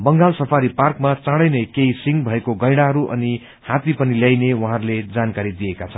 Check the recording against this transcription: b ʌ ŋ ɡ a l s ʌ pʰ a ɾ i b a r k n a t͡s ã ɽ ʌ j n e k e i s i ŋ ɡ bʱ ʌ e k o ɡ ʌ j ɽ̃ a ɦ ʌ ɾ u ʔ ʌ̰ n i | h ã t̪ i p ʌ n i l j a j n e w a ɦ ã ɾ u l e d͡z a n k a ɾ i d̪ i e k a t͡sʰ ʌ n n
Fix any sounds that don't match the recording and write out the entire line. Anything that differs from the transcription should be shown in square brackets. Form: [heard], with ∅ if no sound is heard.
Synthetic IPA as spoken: b ʌ ŋ ɡ a l s ʌ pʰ a ɾ i [p] a r k [m] a t͡s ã ɽ ʌ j n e k e i s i ŋ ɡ bʱ ʌ e k o ɡ ʌ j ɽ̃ a ɦ ʌ ɾ u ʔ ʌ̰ n i | h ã t̪ i p ʌ n i l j a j n e w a ɦ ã ɾ u l e d͡z a n k a ɾ i d̪ i e k a t͡sʰ ʌ n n